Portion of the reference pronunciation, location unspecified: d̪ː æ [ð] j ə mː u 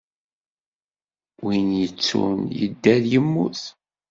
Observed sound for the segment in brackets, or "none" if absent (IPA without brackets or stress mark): ð